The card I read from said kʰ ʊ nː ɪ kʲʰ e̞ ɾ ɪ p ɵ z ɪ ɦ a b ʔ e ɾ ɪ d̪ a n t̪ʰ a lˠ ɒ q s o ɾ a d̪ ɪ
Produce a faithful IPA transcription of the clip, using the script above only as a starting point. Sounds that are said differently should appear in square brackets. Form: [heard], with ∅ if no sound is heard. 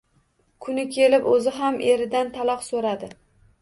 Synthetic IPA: kʰ ʊ [n] ɪ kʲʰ e̞ [l] ɪ p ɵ z ɪ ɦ a [m] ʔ e ɾ ɪ d̪ a n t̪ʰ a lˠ ɒ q s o ɾ a d̪ ɪ